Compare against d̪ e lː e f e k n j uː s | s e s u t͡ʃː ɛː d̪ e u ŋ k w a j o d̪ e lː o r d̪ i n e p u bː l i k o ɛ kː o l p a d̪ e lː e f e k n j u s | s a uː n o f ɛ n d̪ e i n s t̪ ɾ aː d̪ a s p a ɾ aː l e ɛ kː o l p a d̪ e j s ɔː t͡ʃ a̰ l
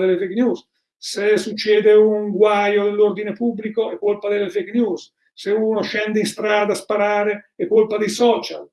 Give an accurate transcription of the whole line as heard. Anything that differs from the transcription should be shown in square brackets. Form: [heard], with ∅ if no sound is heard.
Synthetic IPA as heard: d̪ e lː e f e k n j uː s | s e s u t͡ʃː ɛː d̪ e u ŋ [ɡ] w a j o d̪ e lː o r d̪ i n e p u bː l i k o ɛ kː o l p a d̪ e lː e f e k n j u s | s [e] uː n o [ʃ] ɛ n d̪ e i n s t̪ ɾ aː d̪ a s p a ɾ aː [ɾ] e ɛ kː o l p a d̪ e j s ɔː t͡ʃ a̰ l